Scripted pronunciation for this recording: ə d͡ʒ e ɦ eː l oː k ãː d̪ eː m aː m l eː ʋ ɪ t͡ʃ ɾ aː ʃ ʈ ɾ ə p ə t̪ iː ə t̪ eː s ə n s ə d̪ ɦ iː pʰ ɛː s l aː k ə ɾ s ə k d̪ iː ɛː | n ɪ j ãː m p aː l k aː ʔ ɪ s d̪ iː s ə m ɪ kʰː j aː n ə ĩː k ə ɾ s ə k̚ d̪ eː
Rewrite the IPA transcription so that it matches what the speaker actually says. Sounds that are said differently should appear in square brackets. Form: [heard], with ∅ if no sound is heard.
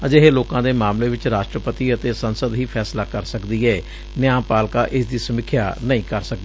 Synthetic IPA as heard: ə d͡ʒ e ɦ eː l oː k ãː d̪ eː m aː m l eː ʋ ɪ t͡ʃ ɾ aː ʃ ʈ ɾ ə p ə t̪ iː ə t̪ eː s ə n s ə d̪ ɦ iː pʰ ɛː s l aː k ə ɾ s ə k d̪ iː ɛː | n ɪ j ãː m p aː l k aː ʔ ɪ s d̪ iː s ə m ɪ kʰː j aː n ə ĩː k ə ɾ s ə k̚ d̪ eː